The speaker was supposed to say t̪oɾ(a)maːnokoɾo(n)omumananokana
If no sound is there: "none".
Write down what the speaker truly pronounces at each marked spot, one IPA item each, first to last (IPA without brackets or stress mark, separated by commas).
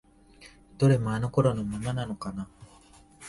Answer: e, n